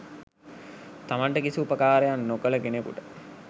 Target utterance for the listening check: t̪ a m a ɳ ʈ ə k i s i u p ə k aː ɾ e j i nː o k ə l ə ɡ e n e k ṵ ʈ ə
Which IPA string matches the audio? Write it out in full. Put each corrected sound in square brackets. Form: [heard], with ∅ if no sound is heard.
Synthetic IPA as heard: t̪ a m a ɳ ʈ ə k i s i u p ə k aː ɾ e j [a] nː o k ə l ə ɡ e n e k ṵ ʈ ə